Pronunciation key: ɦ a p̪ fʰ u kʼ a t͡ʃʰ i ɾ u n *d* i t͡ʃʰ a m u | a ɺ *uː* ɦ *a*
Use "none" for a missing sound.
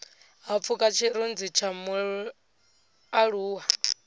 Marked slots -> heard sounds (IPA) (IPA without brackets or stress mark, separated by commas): d͡z, uː, a